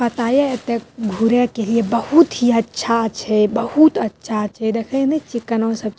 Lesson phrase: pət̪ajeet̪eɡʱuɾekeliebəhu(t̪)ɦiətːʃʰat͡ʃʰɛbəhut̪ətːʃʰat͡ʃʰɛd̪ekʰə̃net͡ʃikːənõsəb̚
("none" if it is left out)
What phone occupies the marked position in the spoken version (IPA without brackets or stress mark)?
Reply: t̪